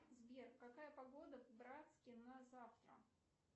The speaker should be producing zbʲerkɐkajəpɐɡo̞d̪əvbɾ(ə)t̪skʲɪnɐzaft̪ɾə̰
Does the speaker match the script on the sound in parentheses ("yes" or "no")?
no